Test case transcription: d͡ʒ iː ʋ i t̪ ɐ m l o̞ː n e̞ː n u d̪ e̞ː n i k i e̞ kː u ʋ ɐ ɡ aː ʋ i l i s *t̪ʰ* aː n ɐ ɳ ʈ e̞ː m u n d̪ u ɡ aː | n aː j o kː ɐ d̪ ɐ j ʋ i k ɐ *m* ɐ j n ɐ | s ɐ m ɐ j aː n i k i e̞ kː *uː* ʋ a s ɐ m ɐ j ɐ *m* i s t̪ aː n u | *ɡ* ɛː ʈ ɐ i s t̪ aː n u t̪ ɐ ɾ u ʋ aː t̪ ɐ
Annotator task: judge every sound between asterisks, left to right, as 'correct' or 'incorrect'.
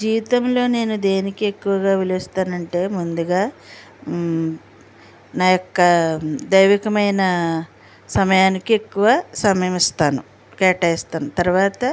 incorrect, correct, incorrect, correct, incorrect

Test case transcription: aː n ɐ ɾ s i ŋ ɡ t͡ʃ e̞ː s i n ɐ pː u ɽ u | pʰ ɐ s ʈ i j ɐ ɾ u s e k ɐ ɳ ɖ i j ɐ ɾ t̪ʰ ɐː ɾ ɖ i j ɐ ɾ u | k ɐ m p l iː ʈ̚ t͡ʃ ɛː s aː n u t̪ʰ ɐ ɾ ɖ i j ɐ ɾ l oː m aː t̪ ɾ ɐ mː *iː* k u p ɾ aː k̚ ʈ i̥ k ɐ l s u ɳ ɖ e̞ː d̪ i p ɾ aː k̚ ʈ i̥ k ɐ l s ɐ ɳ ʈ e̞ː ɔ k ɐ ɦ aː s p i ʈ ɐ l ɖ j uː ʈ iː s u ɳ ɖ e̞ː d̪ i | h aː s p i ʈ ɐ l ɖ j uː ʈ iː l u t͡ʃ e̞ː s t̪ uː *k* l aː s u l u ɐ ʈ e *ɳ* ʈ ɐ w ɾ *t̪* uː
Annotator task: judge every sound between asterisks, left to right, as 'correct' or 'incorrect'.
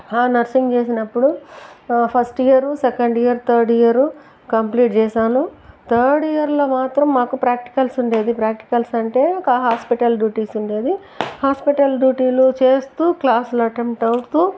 incorrect, correct, incorrect, correct

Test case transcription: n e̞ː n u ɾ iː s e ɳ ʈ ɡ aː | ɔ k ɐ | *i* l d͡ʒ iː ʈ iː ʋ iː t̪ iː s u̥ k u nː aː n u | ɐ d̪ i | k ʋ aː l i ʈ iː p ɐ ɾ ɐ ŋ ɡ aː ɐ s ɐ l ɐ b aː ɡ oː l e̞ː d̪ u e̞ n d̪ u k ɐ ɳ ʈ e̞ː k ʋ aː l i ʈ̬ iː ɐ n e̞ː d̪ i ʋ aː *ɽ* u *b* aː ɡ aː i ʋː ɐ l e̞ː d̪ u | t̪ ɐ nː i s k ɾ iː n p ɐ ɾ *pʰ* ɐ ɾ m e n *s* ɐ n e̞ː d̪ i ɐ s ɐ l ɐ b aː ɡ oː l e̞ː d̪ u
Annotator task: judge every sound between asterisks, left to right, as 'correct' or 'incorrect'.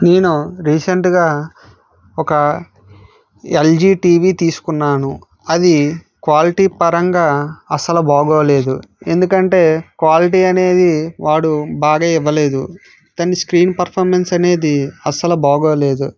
incorrect, correct, correct, correct, correct

